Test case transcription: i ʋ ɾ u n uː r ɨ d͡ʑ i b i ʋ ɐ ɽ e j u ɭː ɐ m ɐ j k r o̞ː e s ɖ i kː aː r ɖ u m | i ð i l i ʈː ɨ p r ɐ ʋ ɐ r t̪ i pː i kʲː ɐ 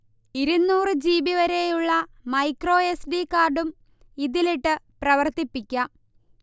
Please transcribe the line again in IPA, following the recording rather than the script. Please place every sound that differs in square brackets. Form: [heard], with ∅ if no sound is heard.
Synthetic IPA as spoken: i [∅] ɾ u [nː] uː r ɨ d͡ʑ [iː] b i ʋ ɐ [ɾ] e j u ɭː ɐ m ɐ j k r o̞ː e s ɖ i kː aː r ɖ u m | i ð i l i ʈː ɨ p r ɐ ʋ ɐ r t̪ i pː i kʲː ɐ